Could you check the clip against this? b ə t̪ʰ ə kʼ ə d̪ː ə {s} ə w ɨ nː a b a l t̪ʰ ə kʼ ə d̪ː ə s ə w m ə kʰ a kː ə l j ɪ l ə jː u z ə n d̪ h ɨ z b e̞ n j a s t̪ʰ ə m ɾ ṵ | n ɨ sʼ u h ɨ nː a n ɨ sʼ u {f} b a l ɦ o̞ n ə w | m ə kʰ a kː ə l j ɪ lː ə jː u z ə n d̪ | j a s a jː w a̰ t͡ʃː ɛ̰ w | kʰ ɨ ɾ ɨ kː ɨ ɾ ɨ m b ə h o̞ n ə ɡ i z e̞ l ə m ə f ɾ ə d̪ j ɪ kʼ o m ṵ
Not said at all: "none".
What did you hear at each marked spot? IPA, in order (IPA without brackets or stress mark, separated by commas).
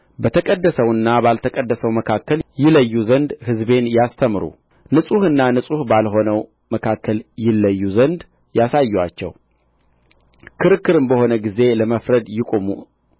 s, h